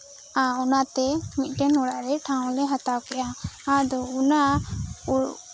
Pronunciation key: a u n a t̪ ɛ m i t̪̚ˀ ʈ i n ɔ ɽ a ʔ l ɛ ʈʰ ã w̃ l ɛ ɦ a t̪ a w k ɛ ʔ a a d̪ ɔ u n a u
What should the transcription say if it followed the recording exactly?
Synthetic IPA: a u n a t̪ ɛ m i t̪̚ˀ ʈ ɛ n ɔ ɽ a ʔ ɾ ɛ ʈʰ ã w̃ l ɛ ɦ a t̪ a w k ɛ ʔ a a d̪ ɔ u n a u

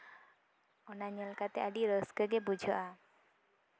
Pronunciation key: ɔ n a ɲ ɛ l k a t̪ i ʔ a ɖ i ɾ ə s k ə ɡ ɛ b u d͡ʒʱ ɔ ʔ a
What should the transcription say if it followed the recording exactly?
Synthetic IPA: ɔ n a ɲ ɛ l k a t̪ ɛ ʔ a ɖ i ɾ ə s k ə ɡ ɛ b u d͡ʒʱ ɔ ʔ a

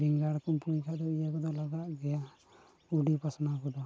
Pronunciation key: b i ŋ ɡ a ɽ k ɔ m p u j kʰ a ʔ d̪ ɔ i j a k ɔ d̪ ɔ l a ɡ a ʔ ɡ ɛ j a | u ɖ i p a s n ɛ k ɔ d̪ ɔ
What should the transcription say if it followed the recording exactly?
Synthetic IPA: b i ŋ ɡ a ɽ k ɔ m p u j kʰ a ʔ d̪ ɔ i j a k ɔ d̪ ɔ l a ɡ a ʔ ɡ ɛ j a | u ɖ i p a s n a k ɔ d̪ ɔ

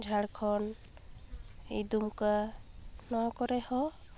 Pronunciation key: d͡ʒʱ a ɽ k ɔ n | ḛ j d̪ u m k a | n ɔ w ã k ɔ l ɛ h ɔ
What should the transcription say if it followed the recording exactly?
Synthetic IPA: d͡ʒʱ a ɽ kʰ ɔ n | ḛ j d̪ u m k a | n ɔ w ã k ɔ ɾ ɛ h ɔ

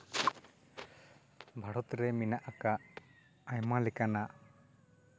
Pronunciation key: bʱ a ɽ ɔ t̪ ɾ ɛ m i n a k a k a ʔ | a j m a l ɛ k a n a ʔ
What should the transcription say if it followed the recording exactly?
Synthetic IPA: bʱ a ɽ ɔ t̪ ɾ ɛ m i n a ʔ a k a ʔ | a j m a l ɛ k a n a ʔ

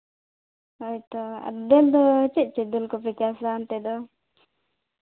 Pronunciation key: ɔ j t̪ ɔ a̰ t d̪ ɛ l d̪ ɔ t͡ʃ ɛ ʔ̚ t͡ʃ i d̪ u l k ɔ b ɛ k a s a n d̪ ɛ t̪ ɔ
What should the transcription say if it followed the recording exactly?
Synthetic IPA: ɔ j t̪ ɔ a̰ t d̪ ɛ l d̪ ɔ t͡ʃ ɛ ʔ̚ t͡ʃ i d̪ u l k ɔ p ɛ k a s a n t̪ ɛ d̪ ɔ

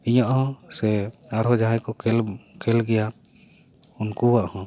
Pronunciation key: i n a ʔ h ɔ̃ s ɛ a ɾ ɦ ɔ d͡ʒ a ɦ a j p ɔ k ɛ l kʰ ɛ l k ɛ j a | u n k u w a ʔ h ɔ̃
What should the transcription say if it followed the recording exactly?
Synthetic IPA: i ɲ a ʔ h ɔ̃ s ɛ a ɾ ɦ ɔ d͡ʒ a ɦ a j k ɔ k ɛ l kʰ ɛ l ɡ ɛ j a | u n k u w a ʔ h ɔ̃

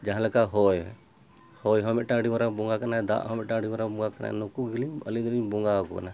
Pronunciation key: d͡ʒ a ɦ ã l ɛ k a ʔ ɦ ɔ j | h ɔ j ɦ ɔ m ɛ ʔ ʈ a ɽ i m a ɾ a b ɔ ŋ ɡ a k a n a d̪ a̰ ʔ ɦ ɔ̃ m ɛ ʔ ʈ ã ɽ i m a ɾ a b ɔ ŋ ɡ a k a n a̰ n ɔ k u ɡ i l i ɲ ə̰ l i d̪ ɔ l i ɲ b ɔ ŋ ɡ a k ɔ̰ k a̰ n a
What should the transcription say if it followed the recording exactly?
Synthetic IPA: d͡ʒ a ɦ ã l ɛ k a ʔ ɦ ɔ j | h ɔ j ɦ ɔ m ɛ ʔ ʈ a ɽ i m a ɾ a b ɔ ŋ ɡ a k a n a d̪ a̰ ʔ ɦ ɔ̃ m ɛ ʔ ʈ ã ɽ i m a ɾ a b ɔ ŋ ɡ a k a n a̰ n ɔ k u ɡ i l i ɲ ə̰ l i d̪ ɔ l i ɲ b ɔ ŋ ɡ a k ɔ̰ k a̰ n a

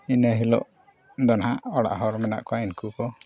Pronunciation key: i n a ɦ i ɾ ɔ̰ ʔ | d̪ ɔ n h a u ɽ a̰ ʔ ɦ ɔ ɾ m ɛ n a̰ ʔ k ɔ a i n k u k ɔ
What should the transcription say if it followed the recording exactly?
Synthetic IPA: i n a ɦ i l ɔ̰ ʔ | d̪ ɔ n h a ɔ ɽ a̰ ʔ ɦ ɔ ɾ m ɛ n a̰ ʔ k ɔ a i n k u k ɔ

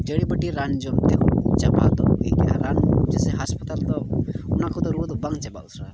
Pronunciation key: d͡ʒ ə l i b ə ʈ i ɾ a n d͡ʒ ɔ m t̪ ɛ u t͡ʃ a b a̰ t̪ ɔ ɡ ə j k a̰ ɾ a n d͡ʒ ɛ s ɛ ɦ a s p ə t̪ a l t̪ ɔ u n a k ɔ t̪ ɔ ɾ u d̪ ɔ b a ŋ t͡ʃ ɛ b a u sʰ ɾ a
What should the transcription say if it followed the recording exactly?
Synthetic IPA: d͡ʒ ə ɽ i b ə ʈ i ɾ a n d͡ʒ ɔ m t̪ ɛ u t͡ʃ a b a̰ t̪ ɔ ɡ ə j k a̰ ɾ a n d͡ʒ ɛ s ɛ ɦ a s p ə t̪ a l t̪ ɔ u n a k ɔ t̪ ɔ ɾ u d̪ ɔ b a ŋ t͡ʃ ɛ b a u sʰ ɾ a

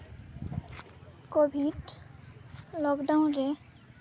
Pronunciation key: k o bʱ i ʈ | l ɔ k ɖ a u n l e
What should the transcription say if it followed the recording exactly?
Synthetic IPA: k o bʱ i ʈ | l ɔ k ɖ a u n ɾ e

